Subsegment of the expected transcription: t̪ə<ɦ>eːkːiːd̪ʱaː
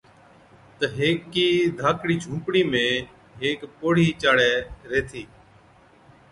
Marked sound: correct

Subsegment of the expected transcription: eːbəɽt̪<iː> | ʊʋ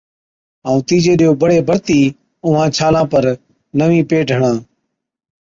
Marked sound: correct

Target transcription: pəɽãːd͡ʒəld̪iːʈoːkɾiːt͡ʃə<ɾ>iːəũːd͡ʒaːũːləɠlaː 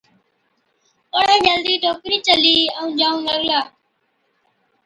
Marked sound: incorrect: l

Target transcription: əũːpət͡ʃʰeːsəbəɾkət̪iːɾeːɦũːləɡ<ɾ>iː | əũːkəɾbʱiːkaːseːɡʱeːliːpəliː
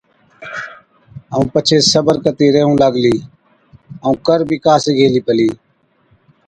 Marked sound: incorrect: l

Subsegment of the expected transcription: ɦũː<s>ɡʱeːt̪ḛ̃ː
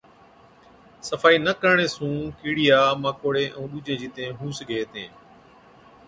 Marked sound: correct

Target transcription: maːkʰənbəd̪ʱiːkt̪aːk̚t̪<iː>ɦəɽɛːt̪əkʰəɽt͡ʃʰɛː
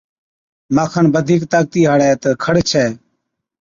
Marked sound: correct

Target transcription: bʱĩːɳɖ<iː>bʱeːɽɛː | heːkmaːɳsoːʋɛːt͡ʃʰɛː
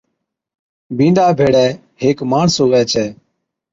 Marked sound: incorrect: aː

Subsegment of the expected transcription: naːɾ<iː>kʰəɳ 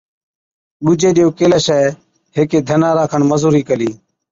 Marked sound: incorrect: aː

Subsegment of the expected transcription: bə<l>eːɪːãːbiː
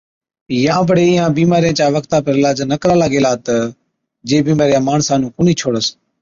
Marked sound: incorrect: ɽ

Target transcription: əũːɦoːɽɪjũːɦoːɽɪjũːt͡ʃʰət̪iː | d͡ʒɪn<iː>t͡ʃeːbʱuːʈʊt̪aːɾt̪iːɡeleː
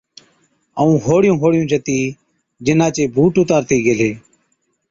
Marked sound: incorrect: aː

